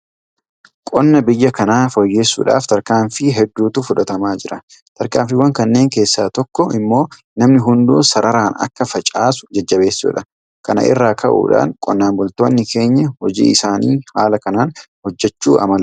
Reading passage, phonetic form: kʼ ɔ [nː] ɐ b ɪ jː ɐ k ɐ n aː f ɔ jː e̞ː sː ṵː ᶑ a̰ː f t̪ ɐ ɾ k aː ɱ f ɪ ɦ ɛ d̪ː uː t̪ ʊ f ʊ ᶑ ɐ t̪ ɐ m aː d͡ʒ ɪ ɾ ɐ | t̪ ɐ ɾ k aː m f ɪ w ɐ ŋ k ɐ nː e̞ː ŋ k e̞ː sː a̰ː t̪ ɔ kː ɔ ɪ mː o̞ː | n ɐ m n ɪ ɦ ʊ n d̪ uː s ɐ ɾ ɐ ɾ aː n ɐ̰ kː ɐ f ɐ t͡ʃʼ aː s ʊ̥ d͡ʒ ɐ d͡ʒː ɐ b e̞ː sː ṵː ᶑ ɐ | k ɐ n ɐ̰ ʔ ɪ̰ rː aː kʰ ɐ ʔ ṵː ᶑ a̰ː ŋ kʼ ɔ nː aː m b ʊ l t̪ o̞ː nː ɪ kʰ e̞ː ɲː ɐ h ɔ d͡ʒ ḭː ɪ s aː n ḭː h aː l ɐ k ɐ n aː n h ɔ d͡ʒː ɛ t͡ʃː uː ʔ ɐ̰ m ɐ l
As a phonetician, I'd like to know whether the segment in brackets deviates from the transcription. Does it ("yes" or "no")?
no